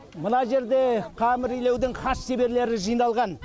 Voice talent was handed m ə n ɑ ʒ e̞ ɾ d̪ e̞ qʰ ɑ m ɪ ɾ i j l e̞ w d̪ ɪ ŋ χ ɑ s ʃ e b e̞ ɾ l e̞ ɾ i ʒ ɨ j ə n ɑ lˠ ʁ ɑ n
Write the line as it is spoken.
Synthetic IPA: m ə n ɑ ʒ e̞ ɾ d̪ e̞ qʰ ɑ m ɪ ɾ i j l e̞ w d̪ ɪ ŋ χ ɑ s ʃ e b e̞ ɾ l e̞ ɾ ɪ ʒ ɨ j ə n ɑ lˠ ʁ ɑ n